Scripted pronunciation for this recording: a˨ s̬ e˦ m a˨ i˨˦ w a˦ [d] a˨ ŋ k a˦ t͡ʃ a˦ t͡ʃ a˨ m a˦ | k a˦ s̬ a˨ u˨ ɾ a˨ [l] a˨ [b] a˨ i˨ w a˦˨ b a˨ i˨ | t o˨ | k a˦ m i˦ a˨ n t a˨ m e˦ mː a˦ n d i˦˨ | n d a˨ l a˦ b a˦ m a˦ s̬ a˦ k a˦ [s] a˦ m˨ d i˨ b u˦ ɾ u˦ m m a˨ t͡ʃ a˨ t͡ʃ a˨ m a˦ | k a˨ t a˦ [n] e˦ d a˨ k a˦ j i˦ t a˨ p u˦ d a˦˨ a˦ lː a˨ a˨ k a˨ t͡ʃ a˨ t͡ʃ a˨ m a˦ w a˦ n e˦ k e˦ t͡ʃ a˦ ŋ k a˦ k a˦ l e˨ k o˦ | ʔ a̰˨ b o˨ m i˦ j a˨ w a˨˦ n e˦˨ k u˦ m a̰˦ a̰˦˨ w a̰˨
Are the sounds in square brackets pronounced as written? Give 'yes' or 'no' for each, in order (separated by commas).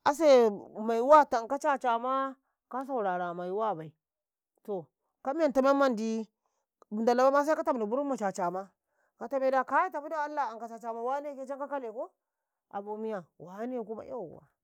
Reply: no, no, no, no, no